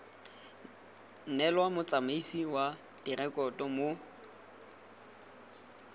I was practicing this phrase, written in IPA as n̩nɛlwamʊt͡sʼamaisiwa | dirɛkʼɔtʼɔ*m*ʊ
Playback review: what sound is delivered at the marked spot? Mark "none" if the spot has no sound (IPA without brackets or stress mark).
m